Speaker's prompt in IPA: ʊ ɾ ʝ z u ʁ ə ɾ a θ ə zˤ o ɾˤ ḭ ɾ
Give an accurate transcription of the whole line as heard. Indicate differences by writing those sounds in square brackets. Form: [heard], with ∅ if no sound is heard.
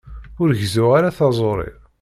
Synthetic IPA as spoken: ʊ ɾ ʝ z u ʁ [a] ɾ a θ [ɑ] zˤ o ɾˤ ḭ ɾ